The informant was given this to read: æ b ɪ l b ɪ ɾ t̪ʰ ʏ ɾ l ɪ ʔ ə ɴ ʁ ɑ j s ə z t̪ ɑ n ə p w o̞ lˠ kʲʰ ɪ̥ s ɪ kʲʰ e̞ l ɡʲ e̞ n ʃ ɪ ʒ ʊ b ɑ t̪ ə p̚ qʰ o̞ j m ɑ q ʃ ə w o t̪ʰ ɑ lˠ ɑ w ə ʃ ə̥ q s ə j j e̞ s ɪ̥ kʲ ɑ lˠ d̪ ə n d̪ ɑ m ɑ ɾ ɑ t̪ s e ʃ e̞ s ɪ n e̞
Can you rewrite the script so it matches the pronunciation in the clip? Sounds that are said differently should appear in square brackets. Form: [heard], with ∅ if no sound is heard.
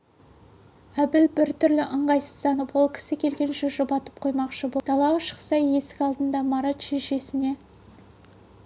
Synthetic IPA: æ b ɪ l b ɪ ɾ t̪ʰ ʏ ɾ l ɪ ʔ ə ɴ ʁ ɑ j s ə z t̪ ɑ n ə p w o̞ lˠ kʲʰ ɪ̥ s ɪ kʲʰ e̞ l ɡʲ e̞ n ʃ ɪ ʒ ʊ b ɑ t̪ ə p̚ qʰ o̞ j m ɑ q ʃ ə [b] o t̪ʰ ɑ lˠ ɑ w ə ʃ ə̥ q s [ɑ] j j e̞ s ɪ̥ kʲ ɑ lˠ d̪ ə n d̪ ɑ m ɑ ɾ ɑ t̪ [ʃ] e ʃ e̞ s ɪ n e̞

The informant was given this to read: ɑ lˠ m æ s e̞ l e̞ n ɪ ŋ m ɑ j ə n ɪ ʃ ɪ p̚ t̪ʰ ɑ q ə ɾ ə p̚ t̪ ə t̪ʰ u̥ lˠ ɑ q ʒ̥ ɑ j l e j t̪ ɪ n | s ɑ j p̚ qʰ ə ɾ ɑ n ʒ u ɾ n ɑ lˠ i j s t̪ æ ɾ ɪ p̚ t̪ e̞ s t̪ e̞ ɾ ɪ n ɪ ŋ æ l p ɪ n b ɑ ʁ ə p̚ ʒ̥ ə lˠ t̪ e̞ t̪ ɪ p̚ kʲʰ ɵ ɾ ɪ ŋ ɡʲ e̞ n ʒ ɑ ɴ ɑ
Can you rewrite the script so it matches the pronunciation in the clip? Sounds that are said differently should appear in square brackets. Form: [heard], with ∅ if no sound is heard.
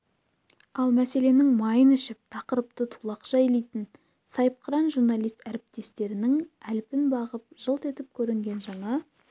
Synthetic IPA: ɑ lˠ m æ s e̞ l e̞ n ɪ ŋ m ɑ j ə n ɪ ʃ ɪ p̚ t̪ʰ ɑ q ə ɾ ə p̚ t̪ ə t̪ʰ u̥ lˠ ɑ q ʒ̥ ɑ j l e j t̪ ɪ n | s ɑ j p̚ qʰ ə ɾ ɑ n ʒ u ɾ n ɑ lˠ i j s t̪ æ ɾ ɪ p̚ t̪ e̞ s t̪ e̞ ɾ ɪ n ɪ ŋ æ l p ɪ n b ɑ ʁ ə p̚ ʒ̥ ə lˠ t̪ e̞ t̪ ɪ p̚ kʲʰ ɵ ɾ ɪ ŋ ɡʲ e̞ n ʒ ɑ ɴ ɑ

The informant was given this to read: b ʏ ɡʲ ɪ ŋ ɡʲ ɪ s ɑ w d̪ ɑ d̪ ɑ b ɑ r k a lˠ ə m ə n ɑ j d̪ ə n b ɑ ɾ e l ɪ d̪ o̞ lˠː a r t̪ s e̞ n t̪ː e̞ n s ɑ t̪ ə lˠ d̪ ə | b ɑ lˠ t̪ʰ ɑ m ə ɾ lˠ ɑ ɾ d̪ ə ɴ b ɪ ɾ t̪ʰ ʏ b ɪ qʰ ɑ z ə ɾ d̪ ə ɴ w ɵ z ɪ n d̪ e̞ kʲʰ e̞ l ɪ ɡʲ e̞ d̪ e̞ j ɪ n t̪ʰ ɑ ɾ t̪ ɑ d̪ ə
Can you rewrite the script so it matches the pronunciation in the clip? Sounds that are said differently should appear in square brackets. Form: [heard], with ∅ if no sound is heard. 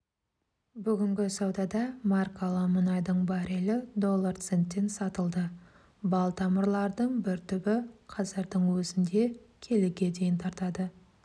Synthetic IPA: b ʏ ɡʲ ɪ ŋ ɡʲ ɪ s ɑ w d̪ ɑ d̪ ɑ [m] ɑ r k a lˠ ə m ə n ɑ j d̪ ə [ɴ] b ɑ ɾ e l ɪ d̪ o̞ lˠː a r t̪ s e̞ n t̪ː e̞ n s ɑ t̪ ə lˠ d̪ ə | b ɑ lˠ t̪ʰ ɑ m ə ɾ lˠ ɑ ɾ d̪ ə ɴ b ɪ ɾ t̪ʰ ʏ b ɪ qʰ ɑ z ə ɾ d̪ ə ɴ w ɵ z ɪ n d̪ e̞ kʲʰ e̞ l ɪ ɡʲ e̞ d̪ e̞ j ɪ n t̪ʰ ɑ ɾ t̪ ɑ d̪ ə

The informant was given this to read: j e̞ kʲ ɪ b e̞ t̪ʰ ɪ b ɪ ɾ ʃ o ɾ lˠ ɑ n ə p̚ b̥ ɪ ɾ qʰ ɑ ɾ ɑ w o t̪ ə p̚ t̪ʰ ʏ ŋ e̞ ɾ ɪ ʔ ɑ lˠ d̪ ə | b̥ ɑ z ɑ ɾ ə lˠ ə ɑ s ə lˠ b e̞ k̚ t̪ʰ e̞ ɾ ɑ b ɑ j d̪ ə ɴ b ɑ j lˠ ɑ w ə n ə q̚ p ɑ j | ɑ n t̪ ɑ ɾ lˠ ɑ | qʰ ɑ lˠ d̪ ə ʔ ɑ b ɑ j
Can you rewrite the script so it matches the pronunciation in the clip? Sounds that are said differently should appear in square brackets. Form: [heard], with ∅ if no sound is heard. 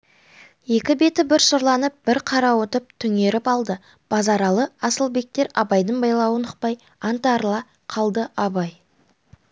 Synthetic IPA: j e̞ kʲ ɪ b e̞ [t̪] ɪ b ɪ ɾ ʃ o ɾ lˠ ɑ n ə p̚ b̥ ɪ ɾ qʰ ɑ ɾ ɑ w o t̪ ə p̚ t̪ʰ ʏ ŋ e̞ ɾ ɪ [p] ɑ lˠ d̪ ə | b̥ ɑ z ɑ ɾ [ɑ] lˠ ə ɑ s ə lˠ b e̞ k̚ [t̪] e̞ ɾ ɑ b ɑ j d̪ ə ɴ b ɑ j lˠ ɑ w ə n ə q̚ p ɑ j | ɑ n t̪ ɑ ɾ lˠ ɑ | qʰ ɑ lˠ d̪ ə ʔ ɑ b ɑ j

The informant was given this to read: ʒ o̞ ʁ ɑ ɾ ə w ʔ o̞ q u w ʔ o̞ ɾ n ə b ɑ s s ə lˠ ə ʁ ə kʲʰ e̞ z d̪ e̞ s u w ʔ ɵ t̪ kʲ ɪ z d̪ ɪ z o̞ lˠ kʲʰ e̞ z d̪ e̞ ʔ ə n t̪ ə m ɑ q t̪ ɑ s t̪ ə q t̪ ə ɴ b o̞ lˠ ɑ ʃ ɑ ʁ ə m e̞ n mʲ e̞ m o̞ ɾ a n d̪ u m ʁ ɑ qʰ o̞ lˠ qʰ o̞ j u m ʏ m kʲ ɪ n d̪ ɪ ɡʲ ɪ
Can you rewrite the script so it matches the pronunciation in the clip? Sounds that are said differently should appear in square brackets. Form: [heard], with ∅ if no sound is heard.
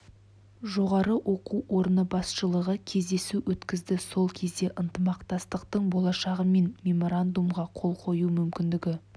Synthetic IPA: ʒ o̞ ʁ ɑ ɾ ə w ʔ o̞ q u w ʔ o̞ ɾ n ə b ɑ s [ʃ] ə lˠ ə ʁ ə kʲʰ e̞ z d̪ e̞ s u w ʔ ɵ t̪ kʲ ɪ z d̪ ɪ [s] o̞ lˠ kʲʰ e̞ z d̪ e̞ ʔ ə n t̪ ə m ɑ q t̪ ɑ s t̪ ə q t̪ ə ɴ b o̞ lˠ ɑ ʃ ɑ ʁ ə m e̞ n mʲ e̞ m o̞ ɾ a n d̪ u m ʁ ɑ qʰ o̞ lˠ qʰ o̞ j u m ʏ m kʲ ɪ n d̪ ɪ ɡʲ ɪ

